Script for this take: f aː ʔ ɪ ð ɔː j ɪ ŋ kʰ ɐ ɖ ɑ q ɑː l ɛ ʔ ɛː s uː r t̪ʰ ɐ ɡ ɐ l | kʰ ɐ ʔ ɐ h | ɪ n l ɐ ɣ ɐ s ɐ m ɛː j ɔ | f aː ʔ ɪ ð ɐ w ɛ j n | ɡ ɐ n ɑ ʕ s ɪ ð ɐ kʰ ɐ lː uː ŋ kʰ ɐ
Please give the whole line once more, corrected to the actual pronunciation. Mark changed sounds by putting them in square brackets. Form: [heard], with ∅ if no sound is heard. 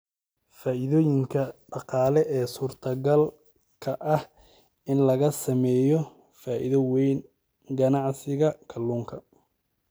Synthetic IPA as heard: f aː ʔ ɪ ð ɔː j ɪ ŋ kʰ ɐ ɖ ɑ q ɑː l ɛ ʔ ɛː s uː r t̪ʰ ɐ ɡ ɐ l | kʰ ɐ ʔ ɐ h | ɪ n l ɐ ɣ ɐ s ɐ m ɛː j ɔ | f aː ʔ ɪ ð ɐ w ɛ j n | ɡ ɐ n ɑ ʕ s ɪ [ɣ] ɐ kʰ ɐ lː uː ŋ kʰ ɐ